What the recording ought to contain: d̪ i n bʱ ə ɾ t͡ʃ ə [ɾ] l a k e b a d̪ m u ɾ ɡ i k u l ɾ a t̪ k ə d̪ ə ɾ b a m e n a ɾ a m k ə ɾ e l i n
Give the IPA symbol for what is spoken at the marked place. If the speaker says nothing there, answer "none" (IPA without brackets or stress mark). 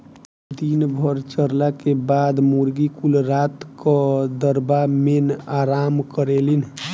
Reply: ɾ